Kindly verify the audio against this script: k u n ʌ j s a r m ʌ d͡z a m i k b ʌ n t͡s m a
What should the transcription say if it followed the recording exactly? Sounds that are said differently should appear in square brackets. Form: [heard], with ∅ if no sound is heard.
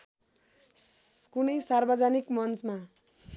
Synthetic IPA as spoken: k u n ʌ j s a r [b] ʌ d͡z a [n] i k [m] ʌ n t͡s m a